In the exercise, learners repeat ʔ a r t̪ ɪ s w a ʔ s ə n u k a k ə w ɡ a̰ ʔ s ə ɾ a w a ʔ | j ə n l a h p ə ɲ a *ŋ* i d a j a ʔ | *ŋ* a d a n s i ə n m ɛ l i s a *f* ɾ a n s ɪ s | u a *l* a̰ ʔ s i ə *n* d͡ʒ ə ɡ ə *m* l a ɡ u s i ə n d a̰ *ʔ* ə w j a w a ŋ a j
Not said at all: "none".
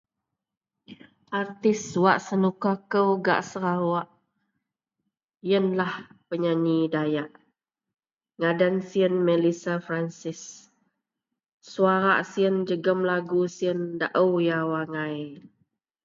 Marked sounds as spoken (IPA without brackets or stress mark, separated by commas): ɲ, ŋ, f, ɾ, n, m, ʔ